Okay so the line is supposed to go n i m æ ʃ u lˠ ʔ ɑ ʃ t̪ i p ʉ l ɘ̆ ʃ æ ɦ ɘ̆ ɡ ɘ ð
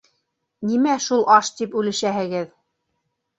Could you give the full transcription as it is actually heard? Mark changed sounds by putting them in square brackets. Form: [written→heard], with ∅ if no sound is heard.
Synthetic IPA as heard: n i m æ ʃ u lˠ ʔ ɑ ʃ t̪ i p ʉ l ɘ̆ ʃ æ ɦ ɘ̆ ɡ ɘ ð